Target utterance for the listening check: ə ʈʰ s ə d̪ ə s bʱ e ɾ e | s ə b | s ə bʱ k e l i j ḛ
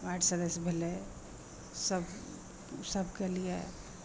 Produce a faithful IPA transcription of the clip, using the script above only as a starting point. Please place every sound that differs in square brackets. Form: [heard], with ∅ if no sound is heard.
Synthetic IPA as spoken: [a] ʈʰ s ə d̪ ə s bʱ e [l] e | s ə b | s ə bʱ k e l i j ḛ